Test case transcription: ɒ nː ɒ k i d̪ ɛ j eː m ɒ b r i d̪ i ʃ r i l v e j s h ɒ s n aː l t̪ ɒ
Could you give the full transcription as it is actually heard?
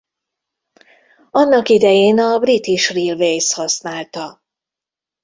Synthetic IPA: ɒ nː ɒ k i d̪ ɛ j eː n ɒ b r i t̪ i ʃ r i l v e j s h ɒ s n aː l t̪ ɒ